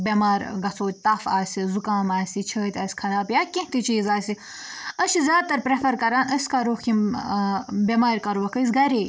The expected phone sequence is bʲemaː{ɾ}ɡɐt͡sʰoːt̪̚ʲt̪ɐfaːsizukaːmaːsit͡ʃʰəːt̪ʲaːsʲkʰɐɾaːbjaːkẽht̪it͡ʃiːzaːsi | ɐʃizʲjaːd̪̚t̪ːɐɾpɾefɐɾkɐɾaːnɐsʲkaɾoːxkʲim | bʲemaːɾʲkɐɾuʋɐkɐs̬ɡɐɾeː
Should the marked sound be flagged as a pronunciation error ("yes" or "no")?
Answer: no